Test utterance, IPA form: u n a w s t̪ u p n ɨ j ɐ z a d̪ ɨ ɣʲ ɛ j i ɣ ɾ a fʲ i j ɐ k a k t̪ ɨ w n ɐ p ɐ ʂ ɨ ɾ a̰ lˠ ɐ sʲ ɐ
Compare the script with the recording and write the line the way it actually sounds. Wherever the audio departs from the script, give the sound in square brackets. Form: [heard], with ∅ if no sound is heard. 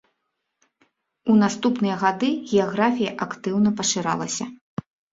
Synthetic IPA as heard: u n a [∅] s t̪ u p n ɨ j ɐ [ɣ] a d̪ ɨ ɣʲ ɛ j [a] ɣ ɾ a fʲ i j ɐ [ʔ] a k t̪ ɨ w n ɐ p ɐ ʂ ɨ ɾ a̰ lˠ ɐ sʲ ɐ